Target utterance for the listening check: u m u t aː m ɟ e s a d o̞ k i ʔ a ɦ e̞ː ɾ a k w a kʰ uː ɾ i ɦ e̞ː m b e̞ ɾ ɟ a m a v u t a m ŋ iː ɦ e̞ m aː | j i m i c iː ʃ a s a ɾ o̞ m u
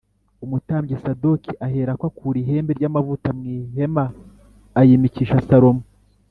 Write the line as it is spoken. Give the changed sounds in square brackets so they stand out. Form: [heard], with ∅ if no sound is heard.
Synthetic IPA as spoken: u m u t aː m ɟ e s a d o̞ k i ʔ a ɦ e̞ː ɾ a k w a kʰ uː ɾ i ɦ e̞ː m b e̞ ɾ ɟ a m a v u t a m ŋ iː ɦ e̞ m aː | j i m i c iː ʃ a s a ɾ o̞ m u